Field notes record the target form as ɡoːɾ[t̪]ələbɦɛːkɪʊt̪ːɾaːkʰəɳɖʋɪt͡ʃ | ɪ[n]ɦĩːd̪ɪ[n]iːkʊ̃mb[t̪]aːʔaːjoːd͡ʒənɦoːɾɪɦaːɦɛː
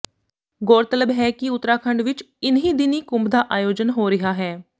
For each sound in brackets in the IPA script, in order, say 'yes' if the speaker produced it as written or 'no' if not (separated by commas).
yes, yes, yes, no